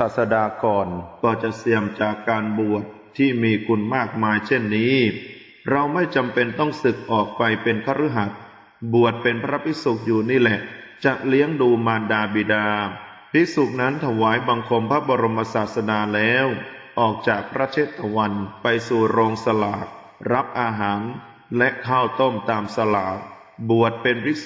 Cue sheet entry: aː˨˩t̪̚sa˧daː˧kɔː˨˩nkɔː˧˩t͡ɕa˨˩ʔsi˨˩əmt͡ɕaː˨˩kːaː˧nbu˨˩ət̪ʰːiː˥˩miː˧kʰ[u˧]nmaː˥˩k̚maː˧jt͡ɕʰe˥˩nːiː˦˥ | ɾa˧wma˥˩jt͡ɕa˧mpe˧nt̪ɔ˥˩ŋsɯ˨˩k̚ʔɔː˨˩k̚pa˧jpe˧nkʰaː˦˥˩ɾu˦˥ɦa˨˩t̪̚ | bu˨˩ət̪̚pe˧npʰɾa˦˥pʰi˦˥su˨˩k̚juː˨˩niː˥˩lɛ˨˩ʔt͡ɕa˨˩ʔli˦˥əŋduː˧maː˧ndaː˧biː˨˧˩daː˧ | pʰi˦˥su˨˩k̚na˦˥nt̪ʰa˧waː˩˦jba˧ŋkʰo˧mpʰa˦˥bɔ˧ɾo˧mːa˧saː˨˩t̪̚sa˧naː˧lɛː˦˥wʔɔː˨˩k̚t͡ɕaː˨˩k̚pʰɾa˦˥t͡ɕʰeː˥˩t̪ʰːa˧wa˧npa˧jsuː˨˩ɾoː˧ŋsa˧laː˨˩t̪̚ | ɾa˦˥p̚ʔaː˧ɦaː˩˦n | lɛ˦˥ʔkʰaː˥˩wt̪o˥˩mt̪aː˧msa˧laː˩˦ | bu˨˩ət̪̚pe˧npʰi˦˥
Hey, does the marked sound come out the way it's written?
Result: yes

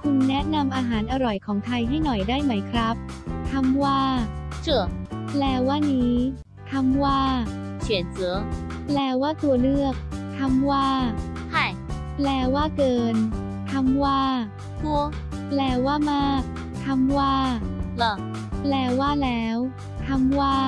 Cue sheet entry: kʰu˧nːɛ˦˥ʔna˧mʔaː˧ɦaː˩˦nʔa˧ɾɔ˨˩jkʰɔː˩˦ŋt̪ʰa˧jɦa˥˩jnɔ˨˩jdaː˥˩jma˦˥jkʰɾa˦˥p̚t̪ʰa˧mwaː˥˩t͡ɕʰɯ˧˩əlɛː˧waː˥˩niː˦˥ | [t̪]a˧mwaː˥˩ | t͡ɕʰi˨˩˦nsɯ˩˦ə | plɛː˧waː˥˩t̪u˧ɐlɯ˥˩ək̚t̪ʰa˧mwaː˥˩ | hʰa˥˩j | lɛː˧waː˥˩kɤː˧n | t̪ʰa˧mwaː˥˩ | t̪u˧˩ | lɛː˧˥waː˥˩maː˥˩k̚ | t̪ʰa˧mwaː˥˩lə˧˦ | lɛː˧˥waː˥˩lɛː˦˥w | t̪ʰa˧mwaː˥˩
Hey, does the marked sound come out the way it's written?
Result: no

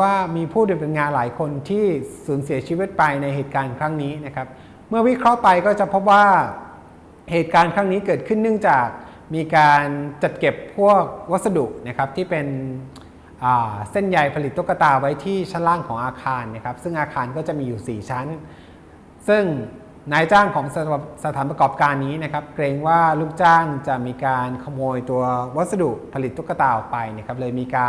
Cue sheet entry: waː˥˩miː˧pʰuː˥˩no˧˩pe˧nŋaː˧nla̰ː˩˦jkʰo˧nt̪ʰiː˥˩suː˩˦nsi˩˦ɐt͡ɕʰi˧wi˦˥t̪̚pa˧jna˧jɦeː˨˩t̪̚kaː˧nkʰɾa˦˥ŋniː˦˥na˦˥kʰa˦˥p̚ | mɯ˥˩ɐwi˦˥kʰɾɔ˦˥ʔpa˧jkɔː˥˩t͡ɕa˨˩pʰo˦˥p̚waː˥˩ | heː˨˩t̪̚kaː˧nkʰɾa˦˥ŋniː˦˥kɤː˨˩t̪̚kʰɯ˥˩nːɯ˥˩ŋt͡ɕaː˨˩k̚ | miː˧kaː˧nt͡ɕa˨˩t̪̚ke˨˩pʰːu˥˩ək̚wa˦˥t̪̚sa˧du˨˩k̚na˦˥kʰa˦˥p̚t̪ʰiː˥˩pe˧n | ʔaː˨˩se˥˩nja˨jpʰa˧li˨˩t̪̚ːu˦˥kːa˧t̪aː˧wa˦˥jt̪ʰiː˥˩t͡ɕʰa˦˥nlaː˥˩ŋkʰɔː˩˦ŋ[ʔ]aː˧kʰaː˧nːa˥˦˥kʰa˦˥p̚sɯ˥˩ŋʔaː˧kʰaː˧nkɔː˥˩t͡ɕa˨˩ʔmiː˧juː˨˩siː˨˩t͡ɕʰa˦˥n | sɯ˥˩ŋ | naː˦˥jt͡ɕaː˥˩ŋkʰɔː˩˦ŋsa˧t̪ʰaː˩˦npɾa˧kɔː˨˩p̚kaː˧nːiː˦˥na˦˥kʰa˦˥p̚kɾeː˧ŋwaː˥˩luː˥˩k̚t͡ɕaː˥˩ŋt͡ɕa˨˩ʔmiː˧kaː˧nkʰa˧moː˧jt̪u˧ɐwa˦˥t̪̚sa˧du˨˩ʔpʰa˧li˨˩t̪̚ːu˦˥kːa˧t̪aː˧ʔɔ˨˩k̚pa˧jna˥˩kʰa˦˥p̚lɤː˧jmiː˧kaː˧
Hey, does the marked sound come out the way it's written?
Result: yes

